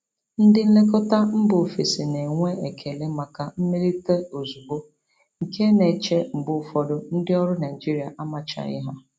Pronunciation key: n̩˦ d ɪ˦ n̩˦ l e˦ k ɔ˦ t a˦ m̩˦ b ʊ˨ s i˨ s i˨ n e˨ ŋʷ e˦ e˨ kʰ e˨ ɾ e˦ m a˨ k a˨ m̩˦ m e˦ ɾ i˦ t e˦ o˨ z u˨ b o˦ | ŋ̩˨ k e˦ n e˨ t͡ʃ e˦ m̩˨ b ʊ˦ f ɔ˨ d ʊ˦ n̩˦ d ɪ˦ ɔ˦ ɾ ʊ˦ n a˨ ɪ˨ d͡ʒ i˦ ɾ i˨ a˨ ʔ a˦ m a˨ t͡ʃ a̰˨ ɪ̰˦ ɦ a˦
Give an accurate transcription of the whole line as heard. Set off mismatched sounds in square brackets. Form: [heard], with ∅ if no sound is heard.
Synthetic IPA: n̩˦ d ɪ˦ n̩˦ l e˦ k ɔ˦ t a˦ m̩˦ b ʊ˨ [f] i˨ s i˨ n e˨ ŋʷ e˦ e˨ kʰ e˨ [l] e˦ m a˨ k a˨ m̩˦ m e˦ ɾ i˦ t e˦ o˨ z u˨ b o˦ | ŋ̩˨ k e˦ n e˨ t͡ʃ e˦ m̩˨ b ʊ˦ f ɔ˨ d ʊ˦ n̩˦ d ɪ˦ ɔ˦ ɾ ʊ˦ n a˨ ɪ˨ d͡ʒ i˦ ɾ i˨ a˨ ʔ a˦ m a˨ t͡ʃ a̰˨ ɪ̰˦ ɦ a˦